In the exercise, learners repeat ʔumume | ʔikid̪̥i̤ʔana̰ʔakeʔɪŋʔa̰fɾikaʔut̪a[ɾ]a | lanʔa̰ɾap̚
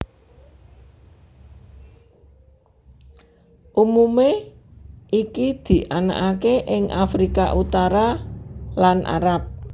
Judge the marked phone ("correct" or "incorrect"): correct